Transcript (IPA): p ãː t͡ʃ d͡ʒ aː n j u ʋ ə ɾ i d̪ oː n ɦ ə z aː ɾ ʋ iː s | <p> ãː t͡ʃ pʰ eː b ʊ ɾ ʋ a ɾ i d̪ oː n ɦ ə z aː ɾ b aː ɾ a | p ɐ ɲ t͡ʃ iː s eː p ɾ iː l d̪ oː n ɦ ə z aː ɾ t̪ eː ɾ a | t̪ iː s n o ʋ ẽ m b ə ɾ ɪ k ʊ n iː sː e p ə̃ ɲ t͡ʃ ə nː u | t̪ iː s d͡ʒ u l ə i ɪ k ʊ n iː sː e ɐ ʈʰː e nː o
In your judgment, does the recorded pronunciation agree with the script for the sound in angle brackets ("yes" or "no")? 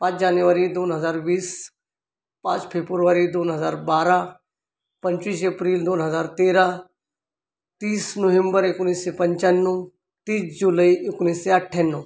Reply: yes